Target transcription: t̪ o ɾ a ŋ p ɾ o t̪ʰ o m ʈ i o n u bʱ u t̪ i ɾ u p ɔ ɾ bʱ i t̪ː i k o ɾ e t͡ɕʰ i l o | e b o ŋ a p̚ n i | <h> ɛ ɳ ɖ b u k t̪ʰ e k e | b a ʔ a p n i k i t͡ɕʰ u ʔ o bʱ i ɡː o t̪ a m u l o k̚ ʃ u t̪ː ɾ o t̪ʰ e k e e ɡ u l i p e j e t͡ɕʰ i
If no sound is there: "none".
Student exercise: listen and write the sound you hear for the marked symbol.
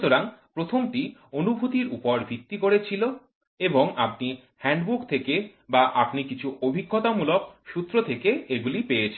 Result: h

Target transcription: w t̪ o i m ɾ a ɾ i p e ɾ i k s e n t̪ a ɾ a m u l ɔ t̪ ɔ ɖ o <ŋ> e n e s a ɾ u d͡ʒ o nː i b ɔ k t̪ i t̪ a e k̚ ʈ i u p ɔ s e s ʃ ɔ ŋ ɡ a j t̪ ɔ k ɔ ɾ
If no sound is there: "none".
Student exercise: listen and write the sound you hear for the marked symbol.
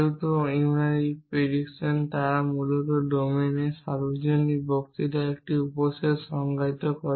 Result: m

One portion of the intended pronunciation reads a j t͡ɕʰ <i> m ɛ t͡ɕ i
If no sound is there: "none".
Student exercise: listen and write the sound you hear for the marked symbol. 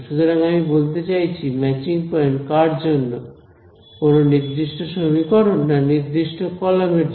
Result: i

